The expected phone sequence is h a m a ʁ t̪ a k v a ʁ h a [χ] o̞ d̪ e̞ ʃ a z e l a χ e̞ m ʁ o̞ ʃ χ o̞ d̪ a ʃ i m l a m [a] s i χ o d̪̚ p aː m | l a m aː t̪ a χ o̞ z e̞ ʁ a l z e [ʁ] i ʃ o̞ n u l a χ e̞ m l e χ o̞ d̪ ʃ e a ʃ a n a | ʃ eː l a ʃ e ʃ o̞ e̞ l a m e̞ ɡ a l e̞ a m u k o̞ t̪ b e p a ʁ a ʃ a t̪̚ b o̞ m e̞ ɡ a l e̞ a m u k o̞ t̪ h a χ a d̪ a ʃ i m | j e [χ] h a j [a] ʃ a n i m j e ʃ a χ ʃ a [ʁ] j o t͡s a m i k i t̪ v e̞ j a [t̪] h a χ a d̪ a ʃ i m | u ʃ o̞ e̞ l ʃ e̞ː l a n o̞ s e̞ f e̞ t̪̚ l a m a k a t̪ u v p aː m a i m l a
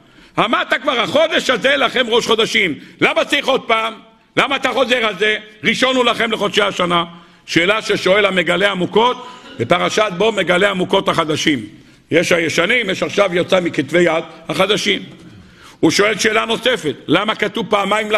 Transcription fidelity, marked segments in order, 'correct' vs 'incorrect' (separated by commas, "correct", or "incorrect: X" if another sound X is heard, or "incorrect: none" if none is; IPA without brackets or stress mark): correct, correct, correct, incorrect: ʃ, incorrect: e, incorrect: v, incorrect: d̪